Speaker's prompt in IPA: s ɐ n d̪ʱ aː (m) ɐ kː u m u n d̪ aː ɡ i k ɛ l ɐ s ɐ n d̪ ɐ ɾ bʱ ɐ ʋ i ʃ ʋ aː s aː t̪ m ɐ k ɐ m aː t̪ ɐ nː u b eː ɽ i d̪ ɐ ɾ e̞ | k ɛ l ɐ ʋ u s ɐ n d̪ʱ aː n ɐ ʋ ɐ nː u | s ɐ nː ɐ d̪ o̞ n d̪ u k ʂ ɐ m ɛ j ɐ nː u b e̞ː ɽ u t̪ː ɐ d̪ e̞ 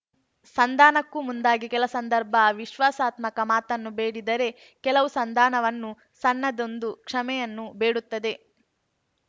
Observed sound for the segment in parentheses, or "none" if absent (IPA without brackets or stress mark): n